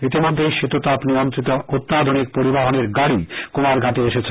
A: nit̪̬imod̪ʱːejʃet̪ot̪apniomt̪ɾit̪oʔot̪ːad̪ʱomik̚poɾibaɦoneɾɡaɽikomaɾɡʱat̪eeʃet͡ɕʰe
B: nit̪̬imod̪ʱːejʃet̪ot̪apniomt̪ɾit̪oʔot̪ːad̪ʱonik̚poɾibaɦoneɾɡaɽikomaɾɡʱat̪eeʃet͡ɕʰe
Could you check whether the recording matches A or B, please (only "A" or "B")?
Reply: B